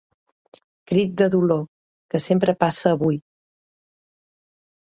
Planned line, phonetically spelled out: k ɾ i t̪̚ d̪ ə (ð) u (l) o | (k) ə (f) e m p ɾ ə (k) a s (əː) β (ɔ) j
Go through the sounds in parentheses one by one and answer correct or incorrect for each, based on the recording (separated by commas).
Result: correct, correct, correct, incorrect, incorrect, correct, incorrect